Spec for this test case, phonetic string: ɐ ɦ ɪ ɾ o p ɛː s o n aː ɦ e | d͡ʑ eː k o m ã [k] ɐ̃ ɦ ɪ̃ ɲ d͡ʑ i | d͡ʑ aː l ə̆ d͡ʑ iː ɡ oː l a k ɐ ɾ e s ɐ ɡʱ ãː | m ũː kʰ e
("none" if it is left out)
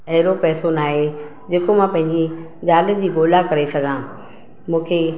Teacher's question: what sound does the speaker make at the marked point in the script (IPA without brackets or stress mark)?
p